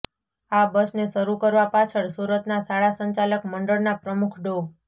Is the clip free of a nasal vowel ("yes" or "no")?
yes